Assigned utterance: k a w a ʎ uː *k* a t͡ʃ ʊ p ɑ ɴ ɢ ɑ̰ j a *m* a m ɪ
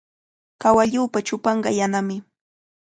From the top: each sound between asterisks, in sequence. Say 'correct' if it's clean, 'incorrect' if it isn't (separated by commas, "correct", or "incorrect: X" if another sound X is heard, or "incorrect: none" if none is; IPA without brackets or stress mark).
incorrect: p, incorrect: n